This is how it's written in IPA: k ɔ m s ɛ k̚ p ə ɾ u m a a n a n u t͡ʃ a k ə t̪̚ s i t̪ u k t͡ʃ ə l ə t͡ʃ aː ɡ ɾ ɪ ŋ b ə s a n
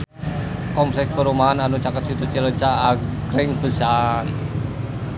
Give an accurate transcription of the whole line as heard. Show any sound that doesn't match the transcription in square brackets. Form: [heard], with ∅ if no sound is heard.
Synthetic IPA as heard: k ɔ m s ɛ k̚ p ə ɾ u m a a n a n u t͡ʃ a k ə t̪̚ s i t̪ u [∅] t͡ʃ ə l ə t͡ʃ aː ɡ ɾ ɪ ŋ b ə s a n